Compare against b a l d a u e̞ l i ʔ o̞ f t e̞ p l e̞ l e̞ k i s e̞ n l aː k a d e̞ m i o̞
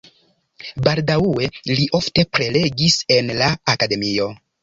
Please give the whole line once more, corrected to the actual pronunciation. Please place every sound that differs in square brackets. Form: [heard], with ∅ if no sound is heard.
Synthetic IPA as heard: b a l d a u e̞ l i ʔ o̞ f t e̞ p [ɾ] e̞ l e̞ [ɡ] i s e̞ n l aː k a d e̞ m i o̞

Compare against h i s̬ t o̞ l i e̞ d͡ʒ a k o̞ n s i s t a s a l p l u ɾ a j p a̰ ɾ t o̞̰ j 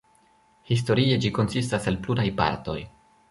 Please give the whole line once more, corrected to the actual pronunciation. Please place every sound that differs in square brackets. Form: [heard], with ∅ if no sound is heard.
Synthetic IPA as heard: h i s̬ t o̞ [ɾ] i e̞ d͡ʒ [i] k o̞ n s i s t a s a l p l u ɾ a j p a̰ ɾ t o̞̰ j

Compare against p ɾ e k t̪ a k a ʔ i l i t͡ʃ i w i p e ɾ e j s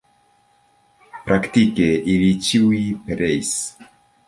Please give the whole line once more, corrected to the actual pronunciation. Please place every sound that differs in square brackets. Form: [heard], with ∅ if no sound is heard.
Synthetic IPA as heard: p ɾ [a] k t̪ [i] k [e] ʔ i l i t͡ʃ i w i p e ɾ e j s

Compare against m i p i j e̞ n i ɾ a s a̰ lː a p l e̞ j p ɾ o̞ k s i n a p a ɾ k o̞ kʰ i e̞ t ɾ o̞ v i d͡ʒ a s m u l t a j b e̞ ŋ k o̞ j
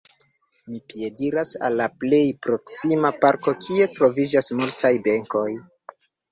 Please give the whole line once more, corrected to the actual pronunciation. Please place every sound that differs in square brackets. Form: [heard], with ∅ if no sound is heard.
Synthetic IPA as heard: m i p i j e̞ [d] i ɾ a s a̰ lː a p l e̞ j p ɾ o̞ k s i [m] a p a ɾ k o̞ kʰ i e̞ t ɾ o̞ v i d͡ʒ a s m u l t a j b e̞ ŋ k o̞ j

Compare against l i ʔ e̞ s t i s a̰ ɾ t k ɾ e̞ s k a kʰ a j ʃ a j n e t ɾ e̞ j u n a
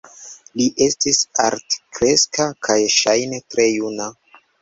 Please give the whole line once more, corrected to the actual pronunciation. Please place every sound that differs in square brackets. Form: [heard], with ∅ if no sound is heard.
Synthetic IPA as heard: l i ʔ e̞ s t i s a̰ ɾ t k ɾ e̞ s k a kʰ a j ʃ a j n e t ɾ e̞ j u n a

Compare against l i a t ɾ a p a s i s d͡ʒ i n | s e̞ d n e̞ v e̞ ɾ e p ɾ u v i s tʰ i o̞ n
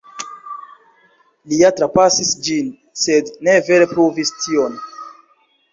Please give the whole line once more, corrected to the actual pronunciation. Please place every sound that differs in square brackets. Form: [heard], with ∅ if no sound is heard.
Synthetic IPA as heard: l i a t ɾ a p a s i s d͡ʒ i n | s e̞ d n e̞ v e̞ ɾ e p ɾ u v i s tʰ i o̞ n

